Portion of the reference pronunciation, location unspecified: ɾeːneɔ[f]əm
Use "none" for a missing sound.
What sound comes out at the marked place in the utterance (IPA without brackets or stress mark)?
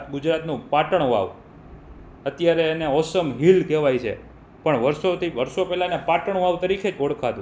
s